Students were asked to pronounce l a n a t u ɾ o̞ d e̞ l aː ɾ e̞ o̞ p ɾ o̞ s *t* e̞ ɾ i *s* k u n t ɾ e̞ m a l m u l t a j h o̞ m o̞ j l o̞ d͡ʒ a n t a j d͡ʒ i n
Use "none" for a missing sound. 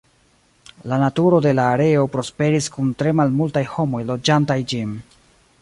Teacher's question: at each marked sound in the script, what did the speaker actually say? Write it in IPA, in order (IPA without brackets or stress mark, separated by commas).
p, s